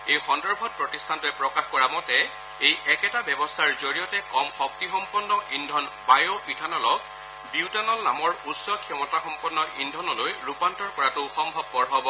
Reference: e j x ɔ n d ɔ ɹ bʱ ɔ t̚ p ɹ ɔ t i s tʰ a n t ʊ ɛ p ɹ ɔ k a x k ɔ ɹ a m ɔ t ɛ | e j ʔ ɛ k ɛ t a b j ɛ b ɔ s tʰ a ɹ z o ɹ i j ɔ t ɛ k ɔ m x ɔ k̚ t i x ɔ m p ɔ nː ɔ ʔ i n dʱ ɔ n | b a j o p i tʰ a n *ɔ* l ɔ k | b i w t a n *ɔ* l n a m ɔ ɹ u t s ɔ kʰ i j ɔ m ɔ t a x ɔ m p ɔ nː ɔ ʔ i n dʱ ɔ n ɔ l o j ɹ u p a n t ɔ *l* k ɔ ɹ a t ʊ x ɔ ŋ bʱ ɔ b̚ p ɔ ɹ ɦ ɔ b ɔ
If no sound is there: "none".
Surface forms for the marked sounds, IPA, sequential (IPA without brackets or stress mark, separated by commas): ɔ, ɔ, ɹ